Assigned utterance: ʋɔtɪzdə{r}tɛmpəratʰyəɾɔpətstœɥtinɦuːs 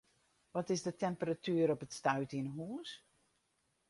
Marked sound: incorrect: none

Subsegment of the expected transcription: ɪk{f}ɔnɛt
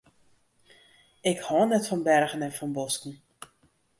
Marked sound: incorrect: h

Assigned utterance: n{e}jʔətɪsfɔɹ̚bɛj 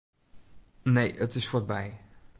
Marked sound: correct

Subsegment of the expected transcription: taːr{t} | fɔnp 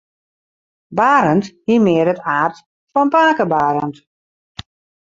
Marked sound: correct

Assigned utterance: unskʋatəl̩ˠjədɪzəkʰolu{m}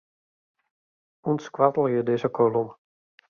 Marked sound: correct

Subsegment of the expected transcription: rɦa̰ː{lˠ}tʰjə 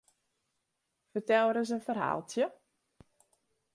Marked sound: correct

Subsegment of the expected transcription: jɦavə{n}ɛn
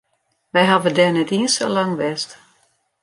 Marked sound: incorrect: d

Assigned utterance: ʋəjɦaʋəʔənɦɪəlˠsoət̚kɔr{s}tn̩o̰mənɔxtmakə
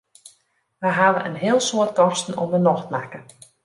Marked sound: correct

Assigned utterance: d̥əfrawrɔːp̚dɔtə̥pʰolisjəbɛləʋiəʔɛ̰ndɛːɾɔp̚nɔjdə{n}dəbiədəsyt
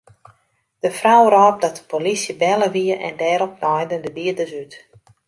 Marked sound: correct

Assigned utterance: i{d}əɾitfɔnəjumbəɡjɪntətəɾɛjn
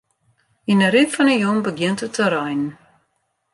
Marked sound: incorrect: n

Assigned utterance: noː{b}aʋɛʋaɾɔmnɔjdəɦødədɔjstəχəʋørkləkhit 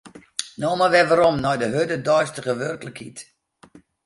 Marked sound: incorrect: m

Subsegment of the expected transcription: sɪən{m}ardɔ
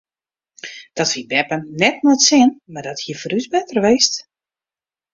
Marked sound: correct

